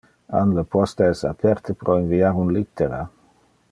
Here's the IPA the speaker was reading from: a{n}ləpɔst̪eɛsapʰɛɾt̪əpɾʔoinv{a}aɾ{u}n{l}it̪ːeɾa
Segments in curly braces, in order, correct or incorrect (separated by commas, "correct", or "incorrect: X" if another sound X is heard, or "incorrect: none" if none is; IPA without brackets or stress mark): correct, incorrect: i, correct, correct